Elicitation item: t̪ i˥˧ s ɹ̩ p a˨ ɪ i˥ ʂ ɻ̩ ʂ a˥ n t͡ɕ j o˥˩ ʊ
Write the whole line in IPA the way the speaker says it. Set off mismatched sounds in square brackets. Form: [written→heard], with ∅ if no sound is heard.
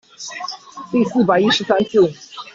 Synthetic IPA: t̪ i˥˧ s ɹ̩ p a˨ ɪ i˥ ʂ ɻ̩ [ʂ→s] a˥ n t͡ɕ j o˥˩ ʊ